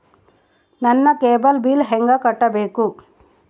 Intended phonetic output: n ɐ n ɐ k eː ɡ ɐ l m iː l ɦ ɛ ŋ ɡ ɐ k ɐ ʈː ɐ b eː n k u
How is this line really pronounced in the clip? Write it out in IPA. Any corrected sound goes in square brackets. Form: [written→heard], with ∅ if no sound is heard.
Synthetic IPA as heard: n ɐ [n→nː] ɐ k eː [ɡ→b] ɐ l [m→b] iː l ɦ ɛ ŋ ɡ ɐ k ɐ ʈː ɐ b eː [n→∅] k u